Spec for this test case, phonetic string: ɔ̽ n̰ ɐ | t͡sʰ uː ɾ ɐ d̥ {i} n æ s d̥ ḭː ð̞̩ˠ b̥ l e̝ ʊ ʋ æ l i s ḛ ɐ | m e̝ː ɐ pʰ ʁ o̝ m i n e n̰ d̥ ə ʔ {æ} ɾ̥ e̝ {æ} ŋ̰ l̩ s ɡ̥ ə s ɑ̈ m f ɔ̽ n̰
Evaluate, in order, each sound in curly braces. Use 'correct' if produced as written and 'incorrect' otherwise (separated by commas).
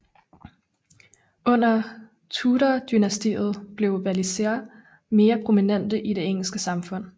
incorrect, incorrect, incorrect